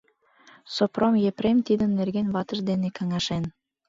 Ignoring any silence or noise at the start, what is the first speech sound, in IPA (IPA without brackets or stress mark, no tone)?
s